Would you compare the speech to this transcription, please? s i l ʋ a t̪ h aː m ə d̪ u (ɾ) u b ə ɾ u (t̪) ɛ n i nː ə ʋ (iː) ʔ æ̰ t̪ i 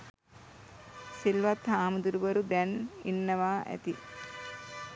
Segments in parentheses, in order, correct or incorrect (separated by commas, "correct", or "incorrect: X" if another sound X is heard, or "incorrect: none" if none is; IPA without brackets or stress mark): correct, incorrect: d̪, incorrect: aː